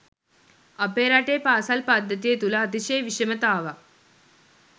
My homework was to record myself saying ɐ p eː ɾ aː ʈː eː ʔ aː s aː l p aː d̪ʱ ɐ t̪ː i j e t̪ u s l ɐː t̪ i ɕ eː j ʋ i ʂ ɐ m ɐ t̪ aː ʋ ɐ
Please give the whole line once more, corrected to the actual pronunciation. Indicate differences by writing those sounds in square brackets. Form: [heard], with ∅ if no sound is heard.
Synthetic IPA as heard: ɐ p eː ɾ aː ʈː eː [p] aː s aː l p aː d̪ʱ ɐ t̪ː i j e t̪ u [∅] l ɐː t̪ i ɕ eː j ʋ i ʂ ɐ m ɐ t̪ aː ʋ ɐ